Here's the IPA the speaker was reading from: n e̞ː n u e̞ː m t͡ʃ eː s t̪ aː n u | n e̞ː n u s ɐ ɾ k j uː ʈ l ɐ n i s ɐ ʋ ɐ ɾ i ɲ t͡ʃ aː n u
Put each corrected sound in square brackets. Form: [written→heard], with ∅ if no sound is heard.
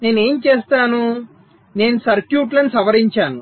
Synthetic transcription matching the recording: n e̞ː n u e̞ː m t͡ʃ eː s t̪ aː n u | n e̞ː n u s ɐ ɾ k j uː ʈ l ɐ n i s ɐ ʋ ɐ ɾ i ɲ t͡ʃ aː n u